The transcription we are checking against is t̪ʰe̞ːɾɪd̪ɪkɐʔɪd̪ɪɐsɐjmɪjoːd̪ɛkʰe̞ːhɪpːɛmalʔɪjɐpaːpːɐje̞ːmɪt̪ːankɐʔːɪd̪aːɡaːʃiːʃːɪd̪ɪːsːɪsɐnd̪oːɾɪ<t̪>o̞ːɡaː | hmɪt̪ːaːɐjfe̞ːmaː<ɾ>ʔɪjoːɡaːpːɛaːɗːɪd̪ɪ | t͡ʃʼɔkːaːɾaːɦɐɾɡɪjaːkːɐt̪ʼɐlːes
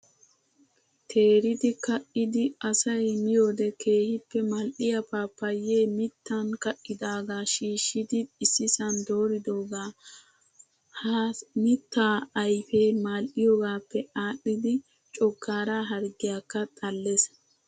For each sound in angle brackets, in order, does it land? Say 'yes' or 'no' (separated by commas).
no, no